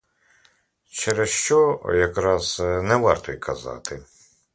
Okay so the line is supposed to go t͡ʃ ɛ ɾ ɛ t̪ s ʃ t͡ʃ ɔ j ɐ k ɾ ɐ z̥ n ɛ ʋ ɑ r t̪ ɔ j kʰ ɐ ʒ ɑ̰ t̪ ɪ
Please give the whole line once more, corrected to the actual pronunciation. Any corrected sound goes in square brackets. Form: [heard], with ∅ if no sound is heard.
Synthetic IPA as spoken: t͡ʃ ɛ ɾ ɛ [∅] s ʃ t͡ʃ ɔ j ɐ k ɾ [ɑ] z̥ n ɛ ʋ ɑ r t̪ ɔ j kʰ ɐ [z] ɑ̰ t̪ ɪ